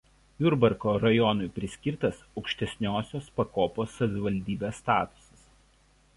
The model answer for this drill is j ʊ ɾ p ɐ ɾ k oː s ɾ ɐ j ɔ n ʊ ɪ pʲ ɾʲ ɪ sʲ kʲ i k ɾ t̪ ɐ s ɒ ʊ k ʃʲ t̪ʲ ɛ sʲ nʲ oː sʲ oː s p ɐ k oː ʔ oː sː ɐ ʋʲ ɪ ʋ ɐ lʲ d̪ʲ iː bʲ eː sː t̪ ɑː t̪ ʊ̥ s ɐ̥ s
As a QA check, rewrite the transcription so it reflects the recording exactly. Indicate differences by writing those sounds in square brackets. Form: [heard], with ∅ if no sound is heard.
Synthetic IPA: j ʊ ɾ [b] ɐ ɾ k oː [∅] ɾ ɐ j ɔ n ʊ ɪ pʲ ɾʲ ɪ sʲ kʲ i [∅] ɾ t̪ ɐ s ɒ ʊ k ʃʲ t̪ʲ ɛ sʲ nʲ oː sʲ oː s p ɐ k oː [p] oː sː ɐ ʋʲ ɪ ʋ ɐ lʲ d̪ʲ iː bʲ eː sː t̪ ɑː t̪ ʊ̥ s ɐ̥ s